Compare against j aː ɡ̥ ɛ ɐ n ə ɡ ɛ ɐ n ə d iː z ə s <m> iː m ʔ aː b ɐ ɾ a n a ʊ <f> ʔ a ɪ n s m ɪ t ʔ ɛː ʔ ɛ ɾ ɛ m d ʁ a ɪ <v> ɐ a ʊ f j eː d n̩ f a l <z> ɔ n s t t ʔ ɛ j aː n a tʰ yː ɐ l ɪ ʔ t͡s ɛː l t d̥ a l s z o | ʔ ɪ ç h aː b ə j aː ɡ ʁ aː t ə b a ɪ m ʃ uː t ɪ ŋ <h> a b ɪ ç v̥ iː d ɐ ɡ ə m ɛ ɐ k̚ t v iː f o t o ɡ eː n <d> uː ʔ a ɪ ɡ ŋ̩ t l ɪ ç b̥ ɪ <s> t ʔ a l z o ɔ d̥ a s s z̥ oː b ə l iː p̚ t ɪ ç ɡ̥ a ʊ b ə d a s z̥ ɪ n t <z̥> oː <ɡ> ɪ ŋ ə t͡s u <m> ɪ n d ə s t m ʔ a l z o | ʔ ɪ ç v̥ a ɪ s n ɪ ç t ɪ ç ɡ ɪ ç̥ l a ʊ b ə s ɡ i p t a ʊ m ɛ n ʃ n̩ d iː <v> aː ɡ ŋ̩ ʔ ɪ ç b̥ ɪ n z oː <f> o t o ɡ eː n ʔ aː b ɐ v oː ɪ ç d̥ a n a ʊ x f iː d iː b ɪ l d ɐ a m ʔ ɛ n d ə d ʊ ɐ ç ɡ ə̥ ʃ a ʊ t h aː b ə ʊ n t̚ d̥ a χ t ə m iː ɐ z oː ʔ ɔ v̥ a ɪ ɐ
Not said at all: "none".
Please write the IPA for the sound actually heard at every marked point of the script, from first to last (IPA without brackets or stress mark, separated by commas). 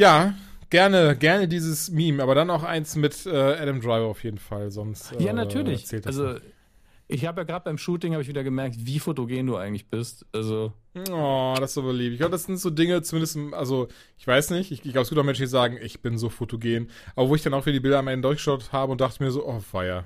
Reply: m, x, v, z, h, d, s, z̥, d, m, z, f